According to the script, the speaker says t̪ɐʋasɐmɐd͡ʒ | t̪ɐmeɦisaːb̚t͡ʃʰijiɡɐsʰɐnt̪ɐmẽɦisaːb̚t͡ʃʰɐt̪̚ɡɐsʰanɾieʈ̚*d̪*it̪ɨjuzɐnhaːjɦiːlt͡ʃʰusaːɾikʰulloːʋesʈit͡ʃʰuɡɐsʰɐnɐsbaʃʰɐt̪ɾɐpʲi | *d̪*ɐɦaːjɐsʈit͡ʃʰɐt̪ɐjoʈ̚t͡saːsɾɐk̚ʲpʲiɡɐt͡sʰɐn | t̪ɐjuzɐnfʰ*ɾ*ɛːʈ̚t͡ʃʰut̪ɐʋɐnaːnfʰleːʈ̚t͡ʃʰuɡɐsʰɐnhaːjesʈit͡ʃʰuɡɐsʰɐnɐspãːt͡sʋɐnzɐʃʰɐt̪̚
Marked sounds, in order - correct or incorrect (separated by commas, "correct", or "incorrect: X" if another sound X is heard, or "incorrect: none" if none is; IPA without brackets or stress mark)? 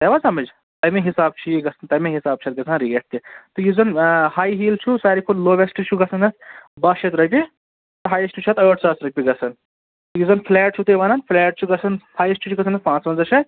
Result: incorrect: t̪, incorrect: t̪, incorrect: l